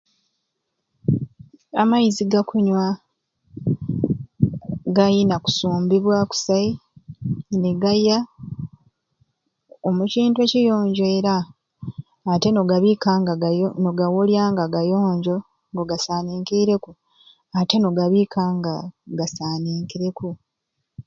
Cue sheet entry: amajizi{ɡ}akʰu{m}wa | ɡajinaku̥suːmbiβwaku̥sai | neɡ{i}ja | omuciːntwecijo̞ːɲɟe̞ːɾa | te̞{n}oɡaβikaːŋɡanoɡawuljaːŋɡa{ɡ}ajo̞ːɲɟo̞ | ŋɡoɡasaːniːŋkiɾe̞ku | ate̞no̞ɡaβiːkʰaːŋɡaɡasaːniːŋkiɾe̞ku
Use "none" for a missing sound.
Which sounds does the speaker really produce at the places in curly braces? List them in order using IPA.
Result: ɡ, ɲ, a, n, ɡ

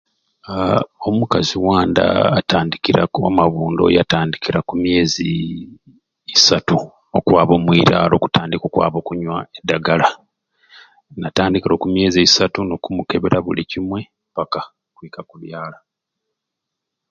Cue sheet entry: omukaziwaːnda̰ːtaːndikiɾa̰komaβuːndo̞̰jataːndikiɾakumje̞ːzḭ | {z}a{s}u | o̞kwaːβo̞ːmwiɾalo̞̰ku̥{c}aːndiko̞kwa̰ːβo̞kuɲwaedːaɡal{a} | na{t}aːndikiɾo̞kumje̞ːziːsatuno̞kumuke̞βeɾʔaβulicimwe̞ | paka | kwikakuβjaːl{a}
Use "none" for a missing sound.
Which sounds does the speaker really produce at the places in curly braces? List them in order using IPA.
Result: s, t, t, a, t, a

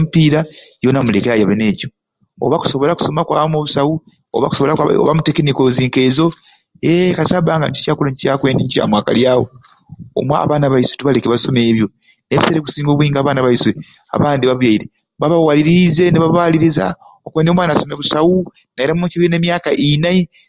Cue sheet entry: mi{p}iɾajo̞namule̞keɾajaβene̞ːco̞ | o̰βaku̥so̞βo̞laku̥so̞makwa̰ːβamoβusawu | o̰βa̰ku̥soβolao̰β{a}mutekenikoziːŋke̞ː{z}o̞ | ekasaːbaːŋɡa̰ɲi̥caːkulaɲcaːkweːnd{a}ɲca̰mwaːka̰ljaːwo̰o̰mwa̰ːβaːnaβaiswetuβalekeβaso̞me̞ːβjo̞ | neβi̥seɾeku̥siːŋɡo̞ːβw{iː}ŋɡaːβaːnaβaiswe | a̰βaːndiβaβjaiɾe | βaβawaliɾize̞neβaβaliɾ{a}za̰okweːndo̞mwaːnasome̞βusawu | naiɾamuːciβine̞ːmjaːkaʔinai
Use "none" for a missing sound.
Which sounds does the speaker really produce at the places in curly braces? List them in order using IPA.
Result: p, a, z, i, iː, i

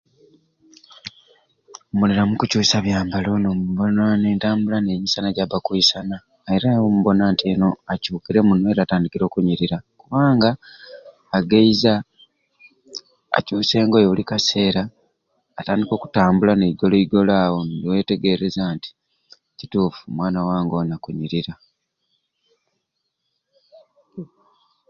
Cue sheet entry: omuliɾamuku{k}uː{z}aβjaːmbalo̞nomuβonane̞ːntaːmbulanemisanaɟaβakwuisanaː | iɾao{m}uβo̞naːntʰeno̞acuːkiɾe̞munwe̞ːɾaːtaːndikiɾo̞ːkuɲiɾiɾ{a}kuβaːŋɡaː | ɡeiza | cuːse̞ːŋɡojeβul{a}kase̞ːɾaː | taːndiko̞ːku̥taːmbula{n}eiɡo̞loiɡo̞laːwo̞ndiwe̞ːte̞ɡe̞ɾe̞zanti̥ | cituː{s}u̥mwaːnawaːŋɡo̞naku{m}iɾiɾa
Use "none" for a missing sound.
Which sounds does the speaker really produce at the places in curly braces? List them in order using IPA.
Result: c, s, m, a, i, n, f, ɲ

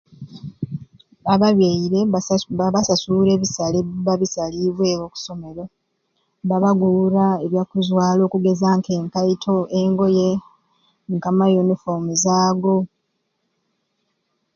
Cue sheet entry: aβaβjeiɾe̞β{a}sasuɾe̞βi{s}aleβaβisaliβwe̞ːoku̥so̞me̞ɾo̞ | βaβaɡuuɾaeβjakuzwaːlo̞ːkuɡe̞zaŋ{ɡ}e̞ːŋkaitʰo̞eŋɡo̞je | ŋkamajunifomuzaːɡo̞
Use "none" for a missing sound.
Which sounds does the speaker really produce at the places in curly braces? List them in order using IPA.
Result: a, s, k

